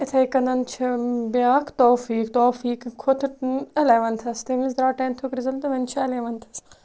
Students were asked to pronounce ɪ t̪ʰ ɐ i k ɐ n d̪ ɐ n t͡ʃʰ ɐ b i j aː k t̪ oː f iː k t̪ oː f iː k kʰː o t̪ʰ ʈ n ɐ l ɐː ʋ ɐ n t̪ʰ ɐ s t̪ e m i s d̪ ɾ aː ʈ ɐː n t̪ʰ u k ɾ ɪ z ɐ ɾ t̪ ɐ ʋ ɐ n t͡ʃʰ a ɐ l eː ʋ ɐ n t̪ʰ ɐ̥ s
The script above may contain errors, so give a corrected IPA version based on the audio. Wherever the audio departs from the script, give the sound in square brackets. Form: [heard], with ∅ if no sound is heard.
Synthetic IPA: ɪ t̪ʰ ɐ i k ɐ n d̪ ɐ n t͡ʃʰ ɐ b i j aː k t̪ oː f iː k t̪ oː f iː k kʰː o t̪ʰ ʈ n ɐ l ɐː ʋ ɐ n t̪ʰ ɐ s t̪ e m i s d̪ ɾ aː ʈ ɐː n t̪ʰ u k ɾ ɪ z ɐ [l] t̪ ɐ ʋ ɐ n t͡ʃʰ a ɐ l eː ʋ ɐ n t̪ʰ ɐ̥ s